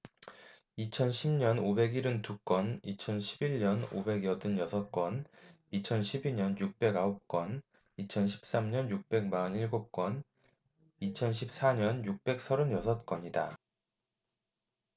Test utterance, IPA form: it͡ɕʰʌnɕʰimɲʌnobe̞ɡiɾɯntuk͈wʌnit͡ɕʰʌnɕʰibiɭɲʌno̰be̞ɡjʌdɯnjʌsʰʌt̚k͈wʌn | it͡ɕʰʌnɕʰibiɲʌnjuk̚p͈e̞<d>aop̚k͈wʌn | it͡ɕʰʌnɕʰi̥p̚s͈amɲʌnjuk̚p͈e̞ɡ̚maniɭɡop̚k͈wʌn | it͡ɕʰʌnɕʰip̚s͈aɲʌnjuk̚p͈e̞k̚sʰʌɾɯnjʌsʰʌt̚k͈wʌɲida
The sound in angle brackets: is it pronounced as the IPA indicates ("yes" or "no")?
no